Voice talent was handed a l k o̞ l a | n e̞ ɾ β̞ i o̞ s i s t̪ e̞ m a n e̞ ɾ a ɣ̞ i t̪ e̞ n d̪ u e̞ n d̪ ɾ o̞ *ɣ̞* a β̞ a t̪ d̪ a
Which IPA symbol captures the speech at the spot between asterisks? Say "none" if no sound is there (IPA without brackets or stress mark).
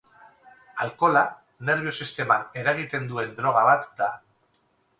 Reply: ɣ̞